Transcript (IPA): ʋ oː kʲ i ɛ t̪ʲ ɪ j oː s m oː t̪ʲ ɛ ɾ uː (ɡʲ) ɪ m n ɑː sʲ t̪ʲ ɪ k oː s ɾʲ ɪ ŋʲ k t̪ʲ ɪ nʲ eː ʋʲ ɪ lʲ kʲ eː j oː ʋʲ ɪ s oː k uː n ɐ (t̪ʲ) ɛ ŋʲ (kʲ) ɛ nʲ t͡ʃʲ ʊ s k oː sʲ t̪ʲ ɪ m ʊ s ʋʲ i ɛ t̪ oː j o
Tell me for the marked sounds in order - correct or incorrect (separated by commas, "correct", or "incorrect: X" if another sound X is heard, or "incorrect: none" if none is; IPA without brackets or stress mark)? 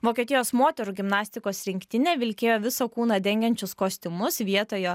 correct, incorrect: d̪ʲ, incorrect: ɡʲ